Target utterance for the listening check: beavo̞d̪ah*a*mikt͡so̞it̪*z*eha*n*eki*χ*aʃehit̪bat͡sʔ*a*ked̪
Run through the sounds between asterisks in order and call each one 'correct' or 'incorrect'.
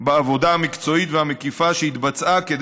correct, incorrect, incorrect, incorrect, correct

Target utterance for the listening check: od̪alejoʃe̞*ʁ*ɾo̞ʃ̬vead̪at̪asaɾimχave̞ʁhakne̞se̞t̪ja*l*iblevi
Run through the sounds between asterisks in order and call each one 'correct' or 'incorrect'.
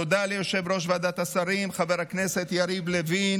incorrect, incorrect

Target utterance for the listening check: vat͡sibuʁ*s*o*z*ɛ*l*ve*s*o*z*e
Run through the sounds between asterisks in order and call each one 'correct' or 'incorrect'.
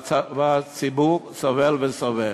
correct, incorrect, correct, correct, incorrect

